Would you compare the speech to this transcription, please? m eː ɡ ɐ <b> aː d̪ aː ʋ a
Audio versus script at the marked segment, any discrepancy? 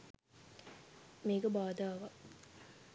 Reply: no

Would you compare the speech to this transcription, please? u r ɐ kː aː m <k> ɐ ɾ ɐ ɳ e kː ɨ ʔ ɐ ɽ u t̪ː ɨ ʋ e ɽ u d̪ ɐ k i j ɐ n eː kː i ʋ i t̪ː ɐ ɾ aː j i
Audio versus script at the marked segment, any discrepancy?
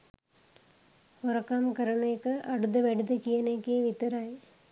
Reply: no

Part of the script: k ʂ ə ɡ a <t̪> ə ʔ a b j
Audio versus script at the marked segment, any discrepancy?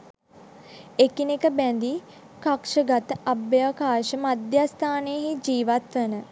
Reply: no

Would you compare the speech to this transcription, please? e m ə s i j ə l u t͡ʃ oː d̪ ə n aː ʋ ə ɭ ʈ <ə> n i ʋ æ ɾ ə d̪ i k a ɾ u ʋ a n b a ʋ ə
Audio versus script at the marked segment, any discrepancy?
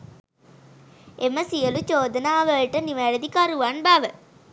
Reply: no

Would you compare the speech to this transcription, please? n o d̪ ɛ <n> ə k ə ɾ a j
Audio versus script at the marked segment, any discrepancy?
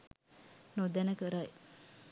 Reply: no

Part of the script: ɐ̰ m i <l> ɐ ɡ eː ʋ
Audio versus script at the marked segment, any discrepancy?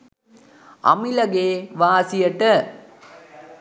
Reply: no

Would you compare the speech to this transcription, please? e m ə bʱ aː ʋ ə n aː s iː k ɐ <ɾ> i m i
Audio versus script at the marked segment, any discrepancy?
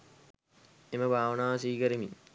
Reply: no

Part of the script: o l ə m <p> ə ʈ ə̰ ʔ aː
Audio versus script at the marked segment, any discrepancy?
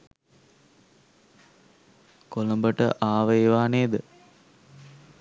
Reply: yes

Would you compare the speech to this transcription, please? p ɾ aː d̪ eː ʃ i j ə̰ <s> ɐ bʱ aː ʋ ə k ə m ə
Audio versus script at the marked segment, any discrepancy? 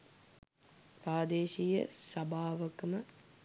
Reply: no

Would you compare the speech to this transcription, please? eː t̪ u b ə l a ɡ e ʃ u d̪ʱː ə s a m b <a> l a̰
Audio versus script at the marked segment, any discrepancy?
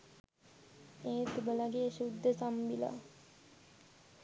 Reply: yes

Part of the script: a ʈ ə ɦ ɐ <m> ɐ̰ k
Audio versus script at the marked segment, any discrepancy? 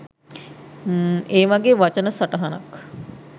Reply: yes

